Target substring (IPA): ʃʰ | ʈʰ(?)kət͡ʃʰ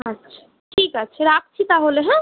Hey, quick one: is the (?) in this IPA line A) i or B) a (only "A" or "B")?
A